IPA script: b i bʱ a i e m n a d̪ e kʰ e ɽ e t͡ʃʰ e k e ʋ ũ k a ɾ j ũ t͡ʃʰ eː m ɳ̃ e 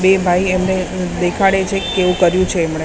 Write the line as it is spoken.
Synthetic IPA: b e bʱ a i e m n e d̪ e kʰ a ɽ e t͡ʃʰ e k e ʋ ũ k ə ɾ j ũ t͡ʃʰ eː m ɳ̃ e